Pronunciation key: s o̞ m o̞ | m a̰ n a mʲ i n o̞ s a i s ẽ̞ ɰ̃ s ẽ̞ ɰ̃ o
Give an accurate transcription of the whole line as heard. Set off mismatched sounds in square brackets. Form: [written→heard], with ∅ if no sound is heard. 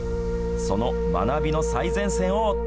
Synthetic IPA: s o̞ [m→n] o̞ | m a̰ n a [mʲ→bʲ] i n o̞ s a i [s→z] ẽ̞ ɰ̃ s ẽ̞ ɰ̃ o